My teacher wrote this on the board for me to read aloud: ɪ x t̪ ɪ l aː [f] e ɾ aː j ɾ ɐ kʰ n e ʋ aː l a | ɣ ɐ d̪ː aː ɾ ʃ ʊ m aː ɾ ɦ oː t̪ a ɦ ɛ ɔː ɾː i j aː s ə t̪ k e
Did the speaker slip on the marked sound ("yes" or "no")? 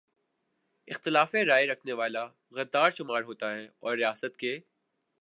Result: no